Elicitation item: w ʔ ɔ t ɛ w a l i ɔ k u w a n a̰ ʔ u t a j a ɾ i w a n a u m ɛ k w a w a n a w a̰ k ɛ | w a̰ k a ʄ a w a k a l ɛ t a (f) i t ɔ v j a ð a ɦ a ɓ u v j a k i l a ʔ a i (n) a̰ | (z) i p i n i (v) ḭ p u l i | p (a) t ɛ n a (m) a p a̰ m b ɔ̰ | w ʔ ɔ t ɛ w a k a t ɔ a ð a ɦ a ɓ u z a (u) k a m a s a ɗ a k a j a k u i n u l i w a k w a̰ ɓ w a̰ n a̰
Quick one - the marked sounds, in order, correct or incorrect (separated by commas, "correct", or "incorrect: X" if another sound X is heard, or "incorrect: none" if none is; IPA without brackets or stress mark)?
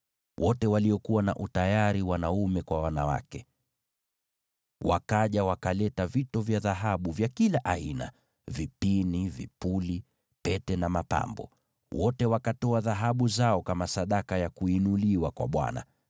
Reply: incorrect: v, correct, incorrect: v, correct, incorrect: ɛ, correct, incorrect: ɔ